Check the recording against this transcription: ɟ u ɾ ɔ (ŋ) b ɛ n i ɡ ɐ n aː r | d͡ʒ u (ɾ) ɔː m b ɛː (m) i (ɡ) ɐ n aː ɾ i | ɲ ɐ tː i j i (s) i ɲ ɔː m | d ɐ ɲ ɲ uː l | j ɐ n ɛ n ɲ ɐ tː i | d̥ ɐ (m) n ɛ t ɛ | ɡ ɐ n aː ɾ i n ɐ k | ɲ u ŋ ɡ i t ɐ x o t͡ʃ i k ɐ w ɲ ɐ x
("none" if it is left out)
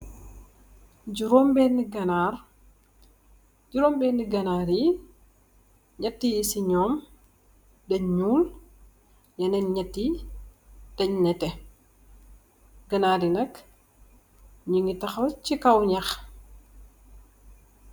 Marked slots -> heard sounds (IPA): m, ɾ, n, ɡ, s, ɲ

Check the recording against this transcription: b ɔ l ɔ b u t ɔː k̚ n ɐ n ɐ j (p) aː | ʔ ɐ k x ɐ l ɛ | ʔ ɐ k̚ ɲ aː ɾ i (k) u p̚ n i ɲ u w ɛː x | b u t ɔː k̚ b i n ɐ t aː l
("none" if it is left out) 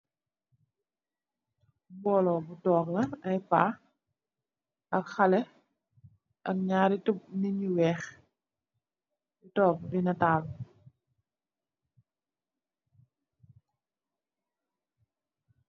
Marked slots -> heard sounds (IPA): p, t

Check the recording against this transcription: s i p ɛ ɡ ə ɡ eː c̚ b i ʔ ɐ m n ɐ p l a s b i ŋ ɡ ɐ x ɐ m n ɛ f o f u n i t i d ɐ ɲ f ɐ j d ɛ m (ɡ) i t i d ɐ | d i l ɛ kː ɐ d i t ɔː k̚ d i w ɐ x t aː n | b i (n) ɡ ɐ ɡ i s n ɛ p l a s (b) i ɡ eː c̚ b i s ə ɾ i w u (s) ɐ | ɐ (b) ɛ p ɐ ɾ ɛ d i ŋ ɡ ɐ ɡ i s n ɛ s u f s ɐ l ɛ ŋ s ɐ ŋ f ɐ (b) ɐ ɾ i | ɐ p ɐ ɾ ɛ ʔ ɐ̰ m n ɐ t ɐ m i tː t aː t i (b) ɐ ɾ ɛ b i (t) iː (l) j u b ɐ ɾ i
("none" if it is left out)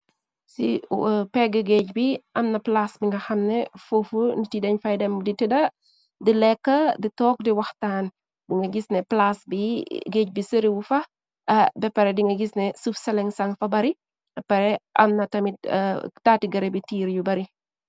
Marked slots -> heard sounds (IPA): d, ŋ, b, f, b, b, ɡ, t, ɾ

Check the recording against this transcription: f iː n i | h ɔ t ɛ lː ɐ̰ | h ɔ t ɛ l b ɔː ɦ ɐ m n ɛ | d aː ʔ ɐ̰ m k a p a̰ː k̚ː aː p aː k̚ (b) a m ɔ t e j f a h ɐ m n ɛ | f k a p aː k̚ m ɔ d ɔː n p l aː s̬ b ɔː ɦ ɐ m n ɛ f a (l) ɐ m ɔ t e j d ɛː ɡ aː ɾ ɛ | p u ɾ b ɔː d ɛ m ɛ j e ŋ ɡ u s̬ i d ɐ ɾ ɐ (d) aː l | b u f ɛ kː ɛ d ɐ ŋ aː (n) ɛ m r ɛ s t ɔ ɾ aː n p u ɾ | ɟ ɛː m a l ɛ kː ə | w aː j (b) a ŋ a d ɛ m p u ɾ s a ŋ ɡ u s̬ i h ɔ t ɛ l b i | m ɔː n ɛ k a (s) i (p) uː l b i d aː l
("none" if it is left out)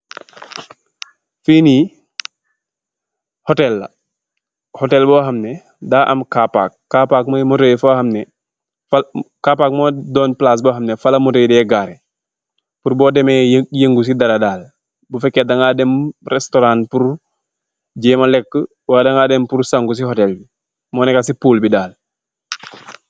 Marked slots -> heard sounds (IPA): m, l, d, d, d, s, p

